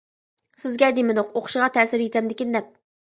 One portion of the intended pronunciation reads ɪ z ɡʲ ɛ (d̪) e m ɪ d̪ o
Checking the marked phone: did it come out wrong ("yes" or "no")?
no